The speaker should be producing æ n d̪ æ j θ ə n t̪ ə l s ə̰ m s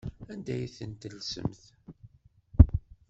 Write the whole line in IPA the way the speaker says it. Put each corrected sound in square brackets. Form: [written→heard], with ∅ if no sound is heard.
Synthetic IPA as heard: æ n d̪ æ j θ ə n t̪ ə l s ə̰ m [s→θ]